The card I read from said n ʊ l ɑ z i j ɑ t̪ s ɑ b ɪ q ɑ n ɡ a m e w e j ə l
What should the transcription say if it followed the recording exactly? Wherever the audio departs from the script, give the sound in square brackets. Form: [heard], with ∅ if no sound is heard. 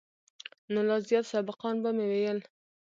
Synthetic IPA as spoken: n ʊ l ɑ z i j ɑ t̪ s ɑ b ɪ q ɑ n [b] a m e w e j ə l